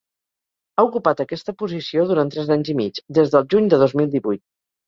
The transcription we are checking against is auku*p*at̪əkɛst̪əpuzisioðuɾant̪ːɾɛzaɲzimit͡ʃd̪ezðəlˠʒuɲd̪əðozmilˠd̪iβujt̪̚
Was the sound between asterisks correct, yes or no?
yes